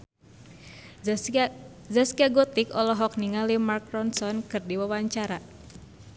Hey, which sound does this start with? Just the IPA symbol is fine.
z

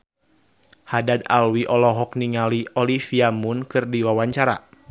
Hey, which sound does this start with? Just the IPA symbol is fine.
h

